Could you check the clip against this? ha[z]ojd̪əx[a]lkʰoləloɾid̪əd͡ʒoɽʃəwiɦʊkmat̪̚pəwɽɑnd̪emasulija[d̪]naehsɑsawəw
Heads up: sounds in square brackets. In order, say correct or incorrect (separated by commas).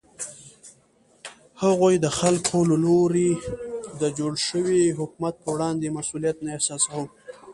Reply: incorrect, correct, incorrect